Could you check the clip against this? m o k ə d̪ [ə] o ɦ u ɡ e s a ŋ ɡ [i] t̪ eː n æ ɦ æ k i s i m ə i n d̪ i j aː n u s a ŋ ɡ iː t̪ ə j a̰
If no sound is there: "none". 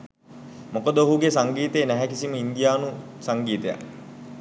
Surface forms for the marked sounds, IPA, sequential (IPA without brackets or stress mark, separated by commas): ə, iː